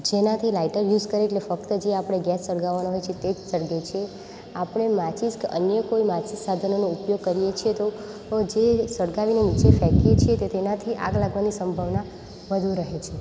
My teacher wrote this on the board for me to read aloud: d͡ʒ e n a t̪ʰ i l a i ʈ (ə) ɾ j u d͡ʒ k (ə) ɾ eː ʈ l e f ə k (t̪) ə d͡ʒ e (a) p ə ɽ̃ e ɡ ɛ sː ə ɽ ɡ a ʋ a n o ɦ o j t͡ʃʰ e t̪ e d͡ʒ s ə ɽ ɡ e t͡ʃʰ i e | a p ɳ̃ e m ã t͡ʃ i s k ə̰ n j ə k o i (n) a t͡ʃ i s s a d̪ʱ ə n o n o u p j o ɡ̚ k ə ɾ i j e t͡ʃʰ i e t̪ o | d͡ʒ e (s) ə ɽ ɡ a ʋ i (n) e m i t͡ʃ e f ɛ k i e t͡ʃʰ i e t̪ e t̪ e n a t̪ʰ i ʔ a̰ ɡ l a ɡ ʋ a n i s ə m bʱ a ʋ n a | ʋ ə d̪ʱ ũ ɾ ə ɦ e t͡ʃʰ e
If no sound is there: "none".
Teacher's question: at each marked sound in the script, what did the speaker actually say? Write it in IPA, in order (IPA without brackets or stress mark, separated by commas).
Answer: ə, ə, t̪, a, m, s, n